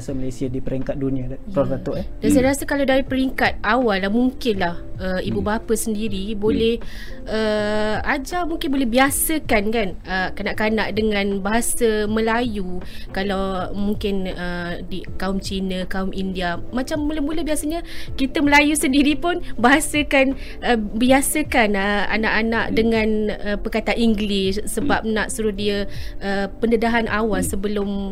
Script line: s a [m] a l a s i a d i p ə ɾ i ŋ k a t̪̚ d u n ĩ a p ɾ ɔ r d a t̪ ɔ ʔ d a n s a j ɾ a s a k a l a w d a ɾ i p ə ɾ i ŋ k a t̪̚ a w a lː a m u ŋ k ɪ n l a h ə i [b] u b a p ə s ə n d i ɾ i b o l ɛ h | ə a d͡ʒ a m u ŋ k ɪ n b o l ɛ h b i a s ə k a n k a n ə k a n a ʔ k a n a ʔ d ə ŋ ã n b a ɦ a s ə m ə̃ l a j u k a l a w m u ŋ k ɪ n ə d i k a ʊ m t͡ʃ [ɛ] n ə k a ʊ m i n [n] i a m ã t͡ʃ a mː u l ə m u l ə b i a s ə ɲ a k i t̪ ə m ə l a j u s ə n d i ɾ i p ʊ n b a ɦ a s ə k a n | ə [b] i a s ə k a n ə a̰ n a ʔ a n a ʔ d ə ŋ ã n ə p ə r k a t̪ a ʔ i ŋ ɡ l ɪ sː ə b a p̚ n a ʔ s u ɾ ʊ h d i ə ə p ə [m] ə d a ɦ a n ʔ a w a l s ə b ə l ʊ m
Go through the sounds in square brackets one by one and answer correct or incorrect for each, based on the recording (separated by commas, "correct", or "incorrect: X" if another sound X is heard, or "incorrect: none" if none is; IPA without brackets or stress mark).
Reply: correct, correct, incorrect: i, incorrect: d, correct, incorrect: n